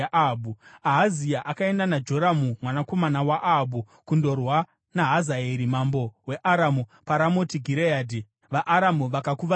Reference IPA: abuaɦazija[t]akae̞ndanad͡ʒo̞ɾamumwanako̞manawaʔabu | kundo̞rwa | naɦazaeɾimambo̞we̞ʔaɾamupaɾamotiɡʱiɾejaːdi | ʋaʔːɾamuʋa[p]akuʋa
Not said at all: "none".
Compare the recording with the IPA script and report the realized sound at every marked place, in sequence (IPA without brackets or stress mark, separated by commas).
ʔ, k